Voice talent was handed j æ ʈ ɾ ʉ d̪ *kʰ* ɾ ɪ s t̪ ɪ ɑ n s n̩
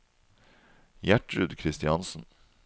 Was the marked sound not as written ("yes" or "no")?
no